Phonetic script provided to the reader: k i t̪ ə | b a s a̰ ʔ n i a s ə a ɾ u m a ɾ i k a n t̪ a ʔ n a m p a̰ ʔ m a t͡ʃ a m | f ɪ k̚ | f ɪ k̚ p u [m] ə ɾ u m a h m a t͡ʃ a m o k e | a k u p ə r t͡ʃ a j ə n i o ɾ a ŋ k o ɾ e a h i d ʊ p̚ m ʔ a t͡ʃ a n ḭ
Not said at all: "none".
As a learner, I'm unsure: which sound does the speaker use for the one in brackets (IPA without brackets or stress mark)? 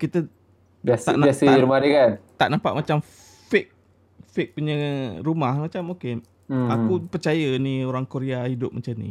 ɲ